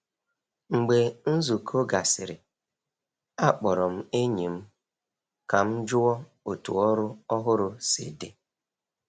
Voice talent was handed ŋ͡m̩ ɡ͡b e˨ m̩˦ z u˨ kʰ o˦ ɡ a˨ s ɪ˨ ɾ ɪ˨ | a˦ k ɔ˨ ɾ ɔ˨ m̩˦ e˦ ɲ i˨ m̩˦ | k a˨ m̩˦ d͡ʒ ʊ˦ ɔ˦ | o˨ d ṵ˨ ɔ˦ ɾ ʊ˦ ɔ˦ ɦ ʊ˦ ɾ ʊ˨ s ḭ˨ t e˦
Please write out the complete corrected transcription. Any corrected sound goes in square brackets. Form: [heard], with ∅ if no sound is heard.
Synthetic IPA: ŋ͡m̩ ɡ͡b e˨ [n̩˦] z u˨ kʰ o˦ ɡ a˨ s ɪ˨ ɾ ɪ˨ | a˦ [k͡p] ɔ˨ ɾ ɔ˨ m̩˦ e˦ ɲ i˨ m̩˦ | k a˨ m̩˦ d͡ʒ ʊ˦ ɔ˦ | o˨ [t] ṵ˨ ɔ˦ ɾ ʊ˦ ɔ˦ ɦ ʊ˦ ɾ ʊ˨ s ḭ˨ [d] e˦